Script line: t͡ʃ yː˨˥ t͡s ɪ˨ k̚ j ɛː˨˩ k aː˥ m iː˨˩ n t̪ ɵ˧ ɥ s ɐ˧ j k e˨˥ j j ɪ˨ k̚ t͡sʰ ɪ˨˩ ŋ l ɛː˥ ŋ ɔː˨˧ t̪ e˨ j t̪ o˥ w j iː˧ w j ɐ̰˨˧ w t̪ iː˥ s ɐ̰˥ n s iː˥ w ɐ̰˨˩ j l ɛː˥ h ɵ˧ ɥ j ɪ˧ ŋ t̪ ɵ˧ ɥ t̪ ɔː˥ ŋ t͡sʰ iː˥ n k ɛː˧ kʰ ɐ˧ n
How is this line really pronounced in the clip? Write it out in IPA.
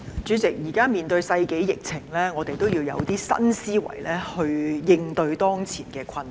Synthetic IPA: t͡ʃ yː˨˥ t͡s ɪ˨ k̚ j iː˨˩ k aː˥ m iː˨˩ n t̪ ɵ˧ ɥ s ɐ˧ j k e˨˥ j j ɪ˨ k̚ t͡sʰ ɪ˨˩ ŋ l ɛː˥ ŋ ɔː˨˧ t̪ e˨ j t̪ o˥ w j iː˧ w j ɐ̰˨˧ w t̪ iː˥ s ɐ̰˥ n s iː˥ w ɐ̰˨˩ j l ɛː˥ h ɵ˧ ɥ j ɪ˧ ŋ t̪ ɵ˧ ɥ t̪ ɔː˥ ŋ t͡sʰ iː˨˩ n k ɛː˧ kʰ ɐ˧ n